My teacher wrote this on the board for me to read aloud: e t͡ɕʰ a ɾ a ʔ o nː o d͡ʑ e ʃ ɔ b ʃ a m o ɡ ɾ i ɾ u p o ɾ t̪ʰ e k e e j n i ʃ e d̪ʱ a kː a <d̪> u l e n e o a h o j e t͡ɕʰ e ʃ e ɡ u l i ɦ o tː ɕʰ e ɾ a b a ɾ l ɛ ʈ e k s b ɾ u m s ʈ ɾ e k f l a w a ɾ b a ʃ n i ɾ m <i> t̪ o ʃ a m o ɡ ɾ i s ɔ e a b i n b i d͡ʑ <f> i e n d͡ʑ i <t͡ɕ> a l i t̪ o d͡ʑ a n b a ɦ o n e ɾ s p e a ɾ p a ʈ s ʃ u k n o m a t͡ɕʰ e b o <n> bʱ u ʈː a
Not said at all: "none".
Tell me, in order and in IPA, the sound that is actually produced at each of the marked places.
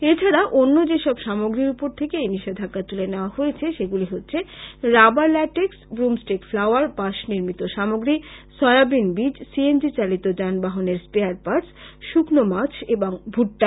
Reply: t̪, i, s, t͡ɕ, ŋ

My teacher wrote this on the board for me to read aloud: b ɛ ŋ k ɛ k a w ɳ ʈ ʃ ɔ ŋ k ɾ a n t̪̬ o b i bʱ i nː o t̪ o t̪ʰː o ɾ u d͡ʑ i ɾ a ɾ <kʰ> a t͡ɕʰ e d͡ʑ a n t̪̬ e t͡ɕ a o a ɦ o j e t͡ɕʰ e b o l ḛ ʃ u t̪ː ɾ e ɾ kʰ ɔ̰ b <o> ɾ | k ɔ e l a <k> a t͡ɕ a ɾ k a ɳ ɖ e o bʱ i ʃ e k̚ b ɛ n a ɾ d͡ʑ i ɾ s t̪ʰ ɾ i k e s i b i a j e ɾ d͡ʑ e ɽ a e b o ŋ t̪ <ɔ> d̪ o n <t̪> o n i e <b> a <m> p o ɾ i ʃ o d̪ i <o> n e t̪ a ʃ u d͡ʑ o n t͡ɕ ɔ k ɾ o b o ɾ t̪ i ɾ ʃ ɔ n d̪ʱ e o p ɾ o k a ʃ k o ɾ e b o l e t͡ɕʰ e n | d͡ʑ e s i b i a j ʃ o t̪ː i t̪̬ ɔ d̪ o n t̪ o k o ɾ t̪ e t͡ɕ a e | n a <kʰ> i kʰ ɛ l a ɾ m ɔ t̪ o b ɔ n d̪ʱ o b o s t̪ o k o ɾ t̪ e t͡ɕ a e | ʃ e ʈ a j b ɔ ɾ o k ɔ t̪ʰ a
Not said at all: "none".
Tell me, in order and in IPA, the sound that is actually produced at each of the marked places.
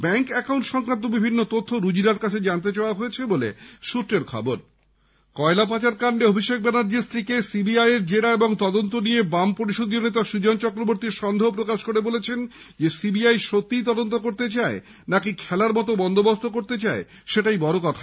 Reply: k, o, p, ɔ, t̪, b, m, o, k

